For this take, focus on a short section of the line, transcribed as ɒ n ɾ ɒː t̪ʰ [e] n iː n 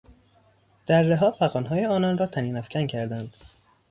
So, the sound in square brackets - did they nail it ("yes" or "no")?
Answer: no